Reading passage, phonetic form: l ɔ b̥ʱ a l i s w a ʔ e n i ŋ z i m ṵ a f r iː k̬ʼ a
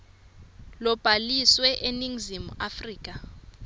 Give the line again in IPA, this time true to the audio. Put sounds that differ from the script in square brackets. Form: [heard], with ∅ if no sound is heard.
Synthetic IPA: l ɔ b̥ʱ a l i s w [ɛ] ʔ e n i ŋ z i m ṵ a f r iː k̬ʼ a